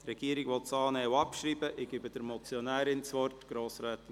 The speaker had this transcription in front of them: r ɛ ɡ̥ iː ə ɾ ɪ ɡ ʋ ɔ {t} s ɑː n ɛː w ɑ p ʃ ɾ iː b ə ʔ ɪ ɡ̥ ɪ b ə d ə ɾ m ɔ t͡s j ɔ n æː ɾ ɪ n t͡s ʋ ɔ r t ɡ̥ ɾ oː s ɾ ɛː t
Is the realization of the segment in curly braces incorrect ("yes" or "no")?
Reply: no